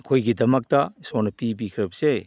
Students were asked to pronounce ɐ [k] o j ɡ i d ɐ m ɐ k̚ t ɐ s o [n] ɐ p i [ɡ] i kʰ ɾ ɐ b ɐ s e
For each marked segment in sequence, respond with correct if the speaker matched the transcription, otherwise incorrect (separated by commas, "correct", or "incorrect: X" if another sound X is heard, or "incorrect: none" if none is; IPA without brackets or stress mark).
incorrect: kʰ, correct, incorrect: b